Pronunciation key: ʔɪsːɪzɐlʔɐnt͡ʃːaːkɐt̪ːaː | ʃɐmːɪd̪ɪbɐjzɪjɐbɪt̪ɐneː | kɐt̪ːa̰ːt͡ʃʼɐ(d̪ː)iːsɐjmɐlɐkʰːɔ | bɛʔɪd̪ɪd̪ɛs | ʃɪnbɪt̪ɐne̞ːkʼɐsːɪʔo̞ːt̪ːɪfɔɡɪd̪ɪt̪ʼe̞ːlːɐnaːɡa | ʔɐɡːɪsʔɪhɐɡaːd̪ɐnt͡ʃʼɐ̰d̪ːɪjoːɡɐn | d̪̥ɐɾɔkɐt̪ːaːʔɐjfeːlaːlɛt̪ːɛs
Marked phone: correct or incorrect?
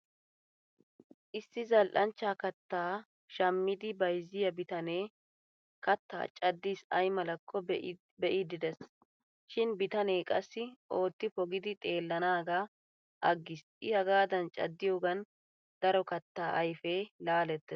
correct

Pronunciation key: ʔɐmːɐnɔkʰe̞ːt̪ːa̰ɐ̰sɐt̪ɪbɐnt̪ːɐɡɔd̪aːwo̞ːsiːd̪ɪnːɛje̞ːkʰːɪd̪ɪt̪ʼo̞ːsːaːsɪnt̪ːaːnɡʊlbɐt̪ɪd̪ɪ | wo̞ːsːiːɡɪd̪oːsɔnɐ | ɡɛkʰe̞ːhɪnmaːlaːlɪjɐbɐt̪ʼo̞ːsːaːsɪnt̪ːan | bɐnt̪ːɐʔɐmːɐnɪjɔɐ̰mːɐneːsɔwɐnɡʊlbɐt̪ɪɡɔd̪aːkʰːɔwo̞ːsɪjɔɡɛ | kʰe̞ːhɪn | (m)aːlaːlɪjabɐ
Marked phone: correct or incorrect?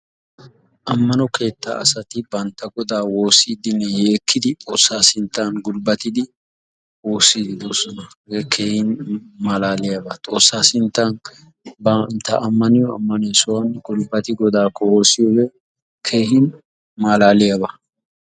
correct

